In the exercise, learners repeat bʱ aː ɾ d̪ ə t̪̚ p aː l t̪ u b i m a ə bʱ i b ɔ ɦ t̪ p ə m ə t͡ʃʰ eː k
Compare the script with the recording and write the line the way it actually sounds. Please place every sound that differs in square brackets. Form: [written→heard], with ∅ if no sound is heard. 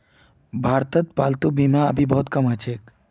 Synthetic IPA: bʱ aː ɾ [d̪→t̪] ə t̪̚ p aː l t̪ u b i m a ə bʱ i b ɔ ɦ t̪ [p→k] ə m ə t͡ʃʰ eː k